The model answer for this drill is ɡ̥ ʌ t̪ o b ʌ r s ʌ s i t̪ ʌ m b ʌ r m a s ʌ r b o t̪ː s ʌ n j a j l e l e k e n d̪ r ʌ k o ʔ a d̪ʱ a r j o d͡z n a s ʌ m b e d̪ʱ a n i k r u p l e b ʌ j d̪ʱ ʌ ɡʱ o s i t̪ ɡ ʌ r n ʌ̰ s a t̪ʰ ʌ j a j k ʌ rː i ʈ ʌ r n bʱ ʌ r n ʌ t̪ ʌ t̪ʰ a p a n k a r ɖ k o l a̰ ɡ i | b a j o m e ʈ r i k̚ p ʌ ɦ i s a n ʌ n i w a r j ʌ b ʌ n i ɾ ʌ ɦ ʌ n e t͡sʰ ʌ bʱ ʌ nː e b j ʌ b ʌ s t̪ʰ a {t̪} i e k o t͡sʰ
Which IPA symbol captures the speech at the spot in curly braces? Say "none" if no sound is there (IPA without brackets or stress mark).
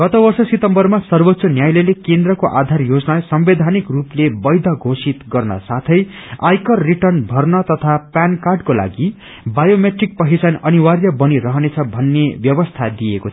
d̪